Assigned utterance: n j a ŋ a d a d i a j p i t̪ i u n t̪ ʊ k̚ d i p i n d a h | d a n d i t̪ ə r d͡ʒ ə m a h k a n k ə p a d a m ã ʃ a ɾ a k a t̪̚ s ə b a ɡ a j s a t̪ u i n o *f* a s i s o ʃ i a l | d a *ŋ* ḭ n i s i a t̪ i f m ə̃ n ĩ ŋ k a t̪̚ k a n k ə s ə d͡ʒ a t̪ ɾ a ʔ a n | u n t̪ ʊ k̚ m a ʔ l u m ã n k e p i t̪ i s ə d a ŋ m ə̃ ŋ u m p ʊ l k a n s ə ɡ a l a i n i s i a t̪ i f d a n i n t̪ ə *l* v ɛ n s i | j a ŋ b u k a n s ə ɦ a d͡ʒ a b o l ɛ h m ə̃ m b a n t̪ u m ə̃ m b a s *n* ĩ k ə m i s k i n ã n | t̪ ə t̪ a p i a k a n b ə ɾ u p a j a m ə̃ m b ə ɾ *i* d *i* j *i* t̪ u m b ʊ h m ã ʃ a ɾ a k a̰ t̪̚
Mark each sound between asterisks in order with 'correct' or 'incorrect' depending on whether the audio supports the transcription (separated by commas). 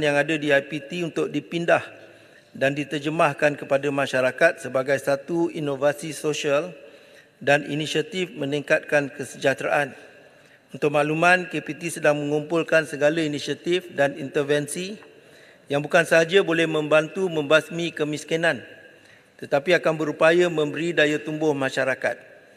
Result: incorrect, incorrect, incorrect, incorrect, correct, incorrect, incorrect